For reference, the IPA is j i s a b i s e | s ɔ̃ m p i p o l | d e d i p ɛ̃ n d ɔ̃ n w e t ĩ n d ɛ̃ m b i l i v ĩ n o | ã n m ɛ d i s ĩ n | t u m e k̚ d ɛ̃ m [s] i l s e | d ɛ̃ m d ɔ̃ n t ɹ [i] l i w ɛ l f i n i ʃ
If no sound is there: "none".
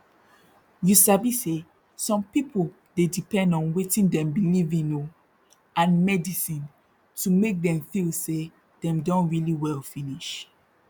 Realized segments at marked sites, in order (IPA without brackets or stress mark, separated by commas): f, i